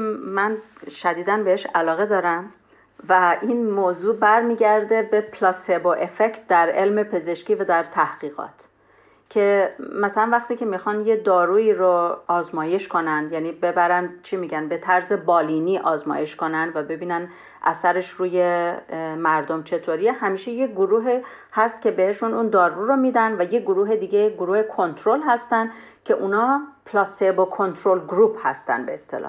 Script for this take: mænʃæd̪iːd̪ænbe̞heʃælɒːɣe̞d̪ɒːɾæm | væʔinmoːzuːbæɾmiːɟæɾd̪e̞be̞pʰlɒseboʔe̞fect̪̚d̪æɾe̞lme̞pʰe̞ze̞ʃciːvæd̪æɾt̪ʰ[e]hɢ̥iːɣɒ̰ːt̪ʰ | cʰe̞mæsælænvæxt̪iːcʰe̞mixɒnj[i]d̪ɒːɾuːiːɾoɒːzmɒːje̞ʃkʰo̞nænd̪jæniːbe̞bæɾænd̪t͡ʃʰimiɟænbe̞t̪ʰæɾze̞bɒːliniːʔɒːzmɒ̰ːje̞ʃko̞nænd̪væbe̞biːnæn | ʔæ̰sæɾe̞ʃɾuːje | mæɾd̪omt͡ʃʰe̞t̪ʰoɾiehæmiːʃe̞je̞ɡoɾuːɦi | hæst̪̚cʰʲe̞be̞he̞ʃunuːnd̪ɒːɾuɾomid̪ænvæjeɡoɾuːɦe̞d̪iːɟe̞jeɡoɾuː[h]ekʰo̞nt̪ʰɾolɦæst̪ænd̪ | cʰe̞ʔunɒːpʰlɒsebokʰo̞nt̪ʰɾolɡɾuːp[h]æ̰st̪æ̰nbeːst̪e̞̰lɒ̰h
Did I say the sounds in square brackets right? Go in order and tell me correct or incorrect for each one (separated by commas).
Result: incorrect, incorrect, correct, correct